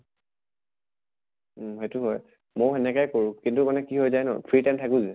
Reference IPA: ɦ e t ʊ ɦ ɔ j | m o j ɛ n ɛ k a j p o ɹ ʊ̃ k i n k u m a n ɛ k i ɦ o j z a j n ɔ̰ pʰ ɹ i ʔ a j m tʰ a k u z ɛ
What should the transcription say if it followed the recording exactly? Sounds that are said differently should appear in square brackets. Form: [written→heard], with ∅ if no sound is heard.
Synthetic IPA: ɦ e t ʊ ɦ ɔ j | m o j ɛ n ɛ k a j [p→k] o ɹ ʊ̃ k i n [k→t] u m a n ɛ k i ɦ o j z a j n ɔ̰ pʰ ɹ i [ʔ→t] a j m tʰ a k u z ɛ